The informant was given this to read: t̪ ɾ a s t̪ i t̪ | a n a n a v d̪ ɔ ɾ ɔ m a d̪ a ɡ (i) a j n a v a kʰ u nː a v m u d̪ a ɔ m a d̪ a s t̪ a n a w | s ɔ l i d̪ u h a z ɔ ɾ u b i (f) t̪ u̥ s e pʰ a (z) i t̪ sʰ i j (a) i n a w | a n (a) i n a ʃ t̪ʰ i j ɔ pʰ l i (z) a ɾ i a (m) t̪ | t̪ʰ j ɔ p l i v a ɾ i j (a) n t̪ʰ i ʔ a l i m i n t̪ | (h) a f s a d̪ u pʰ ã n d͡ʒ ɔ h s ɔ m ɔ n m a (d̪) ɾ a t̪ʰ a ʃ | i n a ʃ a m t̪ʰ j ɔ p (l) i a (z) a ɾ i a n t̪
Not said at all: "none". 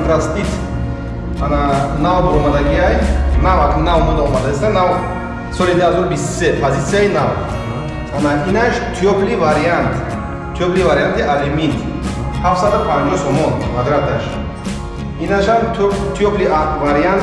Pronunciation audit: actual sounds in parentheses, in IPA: i, s, z, a, a, v, n, a, h, d̪, l, v

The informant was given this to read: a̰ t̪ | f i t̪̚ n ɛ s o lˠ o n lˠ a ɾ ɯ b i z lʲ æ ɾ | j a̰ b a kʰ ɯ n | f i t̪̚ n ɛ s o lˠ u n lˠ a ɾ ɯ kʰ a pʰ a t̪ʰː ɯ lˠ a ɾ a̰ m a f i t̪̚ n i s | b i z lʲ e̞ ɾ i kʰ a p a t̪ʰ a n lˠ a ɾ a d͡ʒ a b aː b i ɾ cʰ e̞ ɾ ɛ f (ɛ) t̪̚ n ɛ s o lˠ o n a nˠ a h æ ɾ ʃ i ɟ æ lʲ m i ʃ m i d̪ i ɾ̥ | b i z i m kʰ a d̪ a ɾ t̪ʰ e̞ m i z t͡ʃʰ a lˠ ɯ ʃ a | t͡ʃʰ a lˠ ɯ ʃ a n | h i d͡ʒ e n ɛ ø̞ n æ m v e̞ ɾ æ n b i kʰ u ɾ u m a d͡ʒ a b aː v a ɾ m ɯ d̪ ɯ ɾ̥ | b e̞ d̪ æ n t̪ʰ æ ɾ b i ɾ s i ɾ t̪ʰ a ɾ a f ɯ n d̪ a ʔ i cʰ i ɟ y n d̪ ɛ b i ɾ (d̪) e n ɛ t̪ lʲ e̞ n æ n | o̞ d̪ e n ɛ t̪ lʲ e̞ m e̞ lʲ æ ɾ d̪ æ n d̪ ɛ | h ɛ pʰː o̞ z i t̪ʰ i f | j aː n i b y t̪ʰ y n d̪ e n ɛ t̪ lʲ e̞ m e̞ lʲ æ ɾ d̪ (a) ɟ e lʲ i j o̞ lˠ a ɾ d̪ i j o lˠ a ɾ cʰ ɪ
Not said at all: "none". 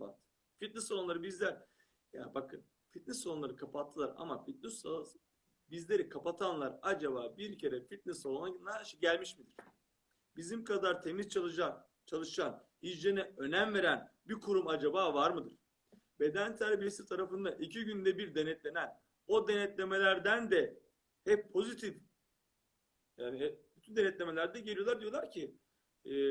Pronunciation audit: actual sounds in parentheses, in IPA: i, d̪, ɛ

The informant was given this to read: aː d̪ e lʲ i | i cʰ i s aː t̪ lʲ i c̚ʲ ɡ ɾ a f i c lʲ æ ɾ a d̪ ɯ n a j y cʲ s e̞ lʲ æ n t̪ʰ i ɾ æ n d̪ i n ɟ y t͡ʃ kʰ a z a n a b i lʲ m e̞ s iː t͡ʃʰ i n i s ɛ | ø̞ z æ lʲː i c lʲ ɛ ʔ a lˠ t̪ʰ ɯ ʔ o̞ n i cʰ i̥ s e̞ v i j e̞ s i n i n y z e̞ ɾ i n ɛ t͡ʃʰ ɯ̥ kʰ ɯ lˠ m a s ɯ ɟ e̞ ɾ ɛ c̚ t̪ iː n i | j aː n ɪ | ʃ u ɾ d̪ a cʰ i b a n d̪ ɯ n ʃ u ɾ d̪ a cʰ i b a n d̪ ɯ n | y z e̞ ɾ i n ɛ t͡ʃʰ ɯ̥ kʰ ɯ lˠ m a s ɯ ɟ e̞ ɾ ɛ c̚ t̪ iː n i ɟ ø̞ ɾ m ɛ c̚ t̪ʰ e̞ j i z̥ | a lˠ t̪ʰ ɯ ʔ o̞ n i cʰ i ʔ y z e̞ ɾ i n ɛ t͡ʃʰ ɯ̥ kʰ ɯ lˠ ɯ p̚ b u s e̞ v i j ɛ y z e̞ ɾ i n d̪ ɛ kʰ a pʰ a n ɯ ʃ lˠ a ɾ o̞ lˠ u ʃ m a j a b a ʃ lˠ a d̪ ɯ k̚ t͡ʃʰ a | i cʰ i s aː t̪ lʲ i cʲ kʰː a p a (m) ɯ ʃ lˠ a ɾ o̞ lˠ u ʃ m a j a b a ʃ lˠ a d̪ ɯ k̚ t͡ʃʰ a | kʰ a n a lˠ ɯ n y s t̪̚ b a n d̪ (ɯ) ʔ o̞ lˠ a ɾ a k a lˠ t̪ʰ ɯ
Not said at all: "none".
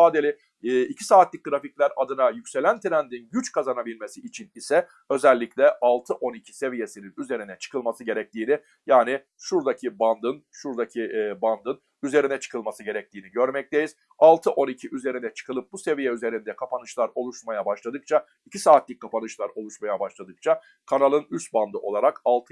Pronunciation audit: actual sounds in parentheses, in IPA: n, ɯ

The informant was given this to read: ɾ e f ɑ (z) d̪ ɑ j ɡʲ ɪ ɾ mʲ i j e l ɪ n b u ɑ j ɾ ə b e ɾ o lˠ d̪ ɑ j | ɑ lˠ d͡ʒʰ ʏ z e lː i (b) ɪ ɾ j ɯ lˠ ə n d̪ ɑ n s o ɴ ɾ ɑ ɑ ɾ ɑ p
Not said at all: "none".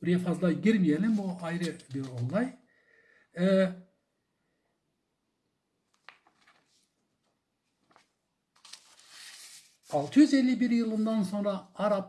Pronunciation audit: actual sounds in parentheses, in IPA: z, b

